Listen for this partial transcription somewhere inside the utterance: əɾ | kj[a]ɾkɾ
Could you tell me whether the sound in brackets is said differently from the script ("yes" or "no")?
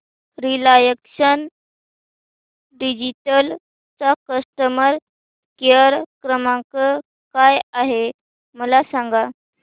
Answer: yes